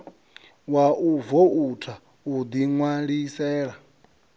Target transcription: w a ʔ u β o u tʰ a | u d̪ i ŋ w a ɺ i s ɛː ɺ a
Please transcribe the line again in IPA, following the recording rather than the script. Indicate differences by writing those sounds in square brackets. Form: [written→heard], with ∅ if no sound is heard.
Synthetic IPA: w a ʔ u [β→v] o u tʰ a | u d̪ i ŋ w a ɺ i s ɛː ɺ a